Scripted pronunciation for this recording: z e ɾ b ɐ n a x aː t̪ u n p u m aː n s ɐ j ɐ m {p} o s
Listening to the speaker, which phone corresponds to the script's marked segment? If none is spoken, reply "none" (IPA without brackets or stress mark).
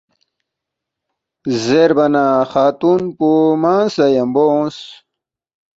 b